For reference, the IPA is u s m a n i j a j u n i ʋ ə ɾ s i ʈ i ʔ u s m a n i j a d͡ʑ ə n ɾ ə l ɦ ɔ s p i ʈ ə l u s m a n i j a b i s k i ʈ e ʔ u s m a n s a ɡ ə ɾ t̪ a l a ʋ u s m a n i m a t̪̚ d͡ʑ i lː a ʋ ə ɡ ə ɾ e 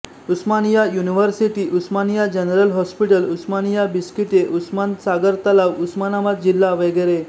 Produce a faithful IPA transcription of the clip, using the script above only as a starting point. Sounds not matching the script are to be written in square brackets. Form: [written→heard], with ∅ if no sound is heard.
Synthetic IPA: u s m a n i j a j u n i ʋ ə ɾ s i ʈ i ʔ u s m a n i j a d͡ʑ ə n ɾ ə l ɦ ɔ s p i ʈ ə l u s m a n i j a b i s k i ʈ e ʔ u s m a n s a ɡ ə ɾ t̪ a l a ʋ u s m a n [i→a] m a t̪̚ d͡ʑ i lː a ʋ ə ɡ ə ɾ e

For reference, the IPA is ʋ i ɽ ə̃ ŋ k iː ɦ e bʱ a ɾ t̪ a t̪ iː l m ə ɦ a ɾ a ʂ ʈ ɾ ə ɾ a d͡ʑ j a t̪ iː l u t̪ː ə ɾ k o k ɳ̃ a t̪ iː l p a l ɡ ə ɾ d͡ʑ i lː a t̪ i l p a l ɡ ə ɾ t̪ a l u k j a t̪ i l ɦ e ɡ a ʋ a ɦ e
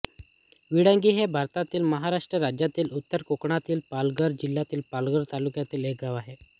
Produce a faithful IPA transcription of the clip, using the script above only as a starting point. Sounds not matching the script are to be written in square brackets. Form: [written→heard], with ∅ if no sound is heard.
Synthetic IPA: ʋ i ɽ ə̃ ŋ [k→ɡ] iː ɦ e bʱ a ɾ t̪ a t̪ iː l m ə ɦ a ɾ a ʂ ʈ ɾ ə ɾ a d͡ʑ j a t̪ iː l u t̪ː ə ɾ k o k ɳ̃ a t̪ iː l p a l ɡ ə ɾ d͡ʑ i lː a t̪ [i→iː] l p a l ɡ ə ɾ t̪ a l u k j a t̪ [i→iː] l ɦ e ɡ a ʋ a ɦ e

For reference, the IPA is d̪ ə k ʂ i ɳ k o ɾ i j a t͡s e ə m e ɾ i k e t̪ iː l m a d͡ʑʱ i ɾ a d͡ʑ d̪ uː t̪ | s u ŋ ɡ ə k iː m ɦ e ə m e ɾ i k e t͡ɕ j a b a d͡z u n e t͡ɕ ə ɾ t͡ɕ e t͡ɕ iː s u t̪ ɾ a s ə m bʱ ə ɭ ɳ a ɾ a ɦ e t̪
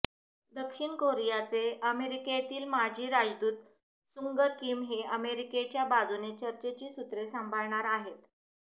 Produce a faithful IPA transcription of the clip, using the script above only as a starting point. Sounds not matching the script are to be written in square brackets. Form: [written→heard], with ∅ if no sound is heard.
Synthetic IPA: d̪ ə k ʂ i ɳ k o ɾ i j a t͡s e ə m e ɾ i k e t̪ iː l m a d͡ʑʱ [i→iː] ɾ a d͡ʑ d̪ uː t̪ | s u ŋ ɡ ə k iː m ɦ e ə m e ɾ i k e t͡ɕ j a b a d͡z u n e t͡ɕ ə ɾ t͡ɕ e t͡ɕ iː s u t̪ ɾ [a→e] s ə m bʱ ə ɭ ɳ a ɾ a ɦ e t̪

